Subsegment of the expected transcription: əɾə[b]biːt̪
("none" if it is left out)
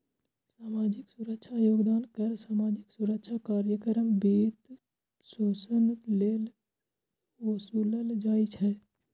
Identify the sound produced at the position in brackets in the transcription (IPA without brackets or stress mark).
m